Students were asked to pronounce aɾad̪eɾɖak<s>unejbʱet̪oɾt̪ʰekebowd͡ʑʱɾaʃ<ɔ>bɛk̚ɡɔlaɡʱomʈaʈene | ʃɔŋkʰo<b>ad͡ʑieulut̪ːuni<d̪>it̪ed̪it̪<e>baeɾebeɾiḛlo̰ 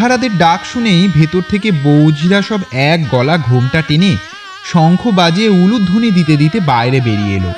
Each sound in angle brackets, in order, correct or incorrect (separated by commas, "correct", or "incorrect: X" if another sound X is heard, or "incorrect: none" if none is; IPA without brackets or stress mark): incorrect: ʃ, correct, correct, correct, correct